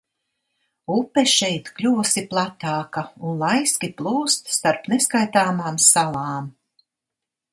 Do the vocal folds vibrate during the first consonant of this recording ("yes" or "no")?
no